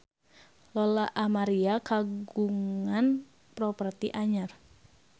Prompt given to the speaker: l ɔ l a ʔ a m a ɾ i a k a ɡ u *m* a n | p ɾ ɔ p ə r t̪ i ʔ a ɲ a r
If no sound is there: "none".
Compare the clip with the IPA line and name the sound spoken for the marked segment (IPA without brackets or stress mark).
ŋ